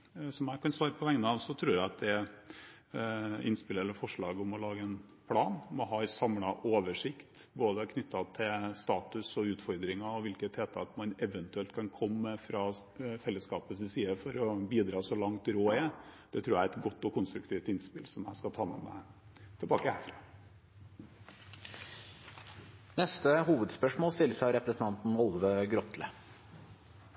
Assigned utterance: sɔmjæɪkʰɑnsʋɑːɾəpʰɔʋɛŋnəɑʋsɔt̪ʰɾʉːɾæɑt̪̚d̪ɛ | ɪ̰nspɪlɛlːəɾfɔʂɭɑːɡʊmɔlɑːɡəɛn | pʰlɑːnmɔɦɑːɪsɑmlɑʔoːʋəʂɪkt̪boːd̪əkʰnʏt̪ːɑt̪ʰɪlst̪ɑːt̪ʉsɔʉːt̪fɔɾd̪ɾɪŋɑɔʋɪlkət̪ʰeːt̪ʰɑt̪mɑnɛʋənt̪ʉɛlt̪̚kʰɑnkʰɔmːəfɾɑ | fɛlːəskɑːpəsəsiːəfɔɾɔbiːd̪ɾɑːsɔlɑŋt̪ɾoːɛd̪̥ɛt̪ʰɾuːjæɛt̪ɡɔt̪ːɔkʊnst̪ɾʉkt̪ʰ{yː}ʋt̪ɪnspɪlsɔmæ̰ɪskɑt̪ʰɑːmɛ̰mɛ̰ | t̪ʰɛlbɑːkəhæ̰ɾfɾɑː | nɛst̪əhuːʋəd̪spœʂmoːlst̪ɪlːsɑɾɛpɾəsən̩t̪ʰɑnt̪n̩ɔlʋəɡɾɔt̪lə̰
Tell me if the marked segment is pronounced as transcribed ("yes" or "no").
no